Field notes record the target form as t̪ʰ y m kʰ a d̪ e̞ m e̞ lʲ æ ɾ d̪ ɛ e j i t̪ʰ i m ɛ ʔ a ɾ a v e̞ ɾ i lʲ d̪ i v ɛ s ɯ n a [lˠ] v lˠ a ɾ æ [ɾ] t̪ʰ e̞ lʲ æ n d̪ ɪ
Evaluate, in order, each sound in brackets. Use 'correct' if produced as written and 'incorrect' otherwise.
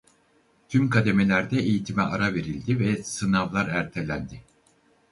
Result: incorrect, correct

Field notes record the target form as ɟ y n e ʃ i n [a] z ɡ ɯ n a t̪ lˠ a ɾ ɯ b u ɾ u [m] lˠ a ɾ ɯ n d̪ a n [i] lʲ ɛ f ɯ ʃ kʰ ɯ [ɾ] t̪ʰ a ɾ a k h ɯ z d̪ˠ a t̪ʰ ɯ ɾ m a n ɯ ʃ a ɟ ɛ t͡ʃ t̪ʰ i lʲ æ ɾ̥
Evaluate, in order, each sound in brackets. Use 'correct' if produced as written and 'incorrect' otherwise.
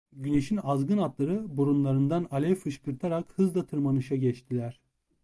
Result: correct, incorrect, incorrect, correct

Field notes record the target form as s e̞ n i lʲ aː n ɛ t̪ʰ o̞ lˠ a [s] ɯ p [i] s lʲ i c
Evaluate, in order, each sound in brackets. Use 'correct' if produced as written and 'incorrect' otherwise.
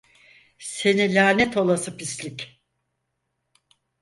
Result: correct, correct

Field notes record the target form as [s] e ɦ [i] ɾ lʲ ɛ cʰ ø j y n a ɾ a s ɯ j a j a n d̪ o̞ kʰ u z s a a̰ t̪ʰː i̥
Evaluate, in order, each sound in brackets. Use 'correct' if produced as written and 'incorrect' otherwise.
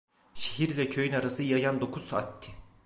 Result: incorrect, correct

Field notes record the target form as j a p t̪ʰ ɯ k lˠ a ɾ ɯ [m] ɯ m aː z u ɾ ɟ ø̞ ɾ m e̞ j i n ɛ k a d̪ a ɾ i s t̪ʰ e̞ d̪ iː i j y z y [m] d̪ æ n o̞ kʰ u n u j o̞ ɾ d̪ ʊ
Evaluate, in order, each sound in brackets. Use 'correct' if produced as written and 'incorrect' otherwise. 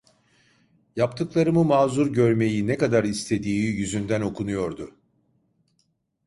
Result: correct, incorrect

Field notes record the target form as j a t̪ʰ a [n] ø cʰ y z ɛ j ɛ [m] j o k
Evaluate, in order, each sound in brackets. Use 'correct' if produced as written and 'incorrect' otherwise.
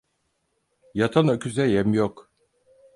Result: correct, correct

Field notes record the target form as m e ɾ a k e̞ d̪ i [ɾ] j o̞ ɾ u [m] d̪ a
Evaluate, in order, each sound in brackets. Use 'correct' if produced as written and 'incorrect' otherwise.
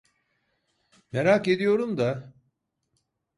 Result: incorrect, correct

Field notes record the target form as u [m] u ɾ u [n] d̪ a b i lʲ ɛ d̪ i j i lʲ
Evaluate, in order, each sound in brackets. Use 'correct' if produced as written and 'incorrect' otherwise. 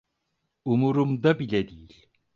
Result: correct, incorrect

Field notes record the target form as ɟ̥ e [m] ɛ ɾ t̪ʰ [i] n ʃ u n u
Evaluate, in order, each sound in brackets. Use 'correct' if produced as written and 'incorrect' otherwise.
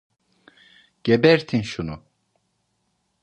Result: incorrect, correct

